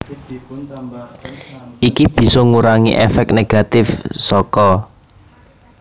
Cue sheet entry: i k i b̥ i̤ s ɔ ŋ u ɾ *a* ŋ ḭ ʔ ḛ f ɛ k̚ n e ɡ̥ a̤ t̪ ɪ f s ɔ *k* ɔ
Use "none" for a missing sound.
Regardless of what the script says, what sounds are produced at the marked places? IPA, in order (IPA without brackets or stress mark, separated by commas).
a, k